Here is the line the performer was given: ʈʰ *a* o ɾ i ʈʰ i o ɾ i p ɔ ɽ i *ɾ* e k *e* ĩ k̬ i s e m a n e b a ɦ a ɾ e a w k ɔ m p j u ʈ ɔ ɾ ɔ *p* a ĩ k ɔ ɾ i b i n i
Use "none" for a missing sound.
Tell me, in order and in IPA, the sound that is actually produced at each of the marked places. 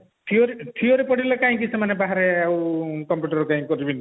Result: i, l, a, k

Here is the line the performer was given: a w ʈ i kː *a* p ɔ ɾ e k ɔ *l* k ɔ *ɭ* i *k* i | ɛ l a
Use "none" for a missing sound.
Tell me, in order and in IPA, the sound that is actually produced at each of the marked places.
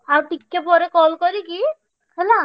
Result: e, l, ɾ, k

